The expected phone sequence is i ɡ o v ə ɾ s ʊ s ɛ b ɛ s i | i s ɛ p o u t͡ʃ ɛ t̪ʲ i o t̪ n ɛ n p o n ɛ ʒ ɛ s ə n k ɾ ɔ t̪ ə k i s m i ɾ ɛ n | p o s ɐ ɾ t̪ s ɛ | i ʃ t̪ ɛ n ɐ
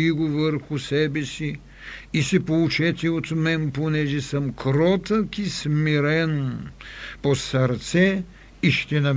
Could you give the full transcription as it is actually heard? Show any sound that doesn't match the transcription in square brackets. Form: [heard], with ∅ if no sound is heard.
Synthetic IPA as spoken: i ɡ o v ə ɾ [x] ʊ s ɛ b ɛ s i | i s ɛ p o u t͡ʃ ɛ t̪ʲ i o t̪ [m] ɛ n p o n ɛ ʒ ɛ s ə [m] k ɾ ɔ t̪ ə k i s m i ɾ ɛ n | p o s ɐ ɾ t̪ s ɛ | i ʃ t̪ ɛ n ɐ